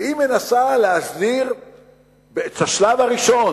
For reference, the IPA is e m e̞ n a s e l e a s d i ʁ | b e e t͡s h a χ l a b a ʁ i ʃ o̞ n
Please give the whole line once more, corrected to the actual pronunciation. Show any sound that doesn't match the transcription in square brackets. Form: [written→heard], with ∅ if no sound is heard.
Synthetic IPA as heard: [e→i] m e̞ n a s [e→a] l e a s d i ʁ | b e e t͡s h a [χ→ʃ] l a [b→v] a ʁ i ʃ o̞ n